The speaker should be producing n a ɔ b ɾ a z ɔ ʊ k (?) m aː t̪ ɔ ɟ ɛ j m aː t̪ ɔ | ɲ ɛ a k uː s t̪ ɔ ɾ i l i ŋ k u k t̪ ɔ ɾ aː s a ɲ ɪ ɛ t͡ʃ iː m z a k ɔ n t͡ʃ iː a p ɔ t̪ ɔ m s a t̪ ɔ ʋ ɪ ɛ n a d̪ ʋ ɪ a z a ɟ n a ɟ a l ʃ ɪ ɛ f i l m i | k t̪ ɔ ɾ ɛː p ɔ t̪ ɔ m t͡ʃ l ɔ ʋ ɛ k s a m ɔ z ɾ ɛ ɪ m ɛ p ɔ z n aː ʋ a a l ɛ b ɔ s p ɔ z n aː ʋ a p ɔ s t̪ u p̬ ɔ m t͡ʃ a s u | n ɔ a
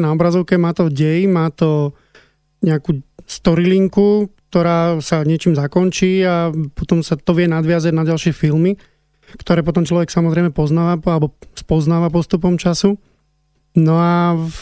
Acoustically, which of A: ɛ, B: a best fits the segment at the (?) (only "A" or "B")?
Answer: A